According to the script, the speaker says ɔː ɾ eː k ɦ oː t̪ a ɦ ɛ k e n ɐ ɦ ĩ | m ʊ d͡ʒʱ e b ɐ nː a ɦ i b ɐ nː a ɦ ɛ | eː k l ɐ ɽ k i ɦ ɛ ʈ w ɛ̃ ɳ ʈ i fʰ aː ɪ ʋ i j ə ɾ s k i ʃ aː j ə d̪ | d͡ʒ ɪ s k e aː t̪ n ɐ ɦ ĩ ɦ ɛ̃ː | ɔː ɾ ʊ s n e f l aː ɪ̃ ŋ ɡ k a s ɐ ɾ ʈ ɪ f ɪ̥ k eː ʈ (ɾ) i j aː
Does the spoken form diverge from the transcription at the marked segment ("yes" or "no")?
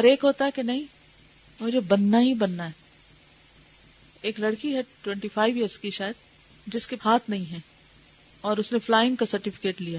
yes